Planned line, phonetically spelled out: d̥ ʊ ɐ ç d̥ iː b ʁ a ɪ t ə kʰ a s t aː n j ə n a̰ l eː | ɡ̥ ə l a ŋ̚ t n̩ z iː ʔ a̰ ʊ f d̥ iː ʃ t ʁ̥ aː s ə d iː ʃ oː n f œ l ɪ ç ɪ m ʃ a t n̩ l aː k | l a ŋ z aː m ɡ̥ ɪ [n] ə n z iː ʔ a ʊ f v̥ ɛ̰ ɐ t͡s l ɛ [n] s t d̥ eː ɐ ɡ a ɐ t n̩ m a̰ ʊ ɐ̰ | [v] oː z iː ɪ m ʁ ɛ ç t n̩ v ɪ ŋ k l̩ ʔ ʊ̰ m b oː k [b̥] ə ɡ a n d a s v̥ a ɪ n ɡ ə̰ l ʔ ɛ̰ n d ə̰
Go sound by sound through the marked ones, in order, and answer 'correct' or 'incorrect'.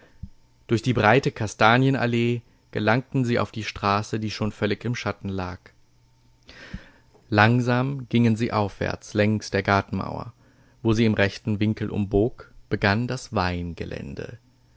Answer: incorrect, incorrect, correct, correct

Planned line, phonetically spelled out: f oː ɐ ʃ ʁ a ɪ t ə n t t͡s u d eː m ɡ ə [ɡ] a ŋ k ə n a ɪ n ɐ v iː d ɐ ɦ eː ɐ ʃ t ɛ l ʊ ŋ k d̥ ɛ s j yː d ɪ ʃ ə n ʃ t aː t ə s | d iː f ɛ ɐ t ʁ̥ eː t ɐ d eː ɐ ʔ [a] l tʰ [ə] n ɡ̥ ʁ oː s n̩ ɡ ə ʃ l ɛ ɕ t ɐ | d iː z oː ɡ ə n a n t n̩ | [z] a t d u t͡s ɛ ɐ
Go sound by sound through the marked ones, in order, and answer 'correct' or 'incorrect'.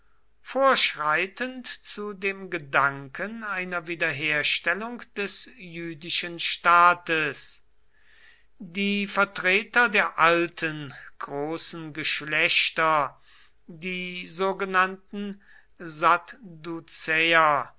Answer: incorrect, correct, correct, correct

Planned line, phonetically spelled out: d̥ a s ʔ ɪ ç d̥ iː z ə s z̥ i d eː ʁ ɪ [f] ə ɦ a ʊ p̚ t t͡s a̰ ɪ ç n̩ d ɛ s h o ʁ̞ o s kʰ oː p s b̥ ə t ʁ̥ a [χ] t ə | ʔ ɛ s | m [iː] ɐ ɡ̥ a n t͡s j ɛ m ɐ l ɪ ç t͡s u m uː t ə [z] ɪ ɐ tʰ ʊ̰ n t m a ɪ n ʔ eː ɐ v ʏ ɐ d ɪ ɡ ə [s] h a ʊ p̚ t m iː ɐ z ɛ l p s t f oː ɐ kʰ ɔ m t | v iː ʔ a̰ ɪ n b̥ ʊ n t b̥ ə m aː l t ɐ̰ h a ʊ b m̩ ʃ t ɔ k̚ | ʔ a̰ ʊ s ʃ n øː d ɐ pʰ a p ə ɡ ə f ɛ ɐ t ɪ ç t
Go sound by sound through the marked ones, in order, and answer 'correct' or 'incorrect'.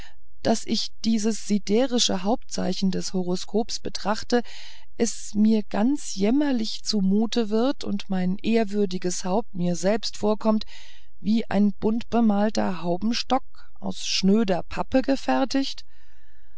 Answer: incorrect, correct, correct, incorrect, correct

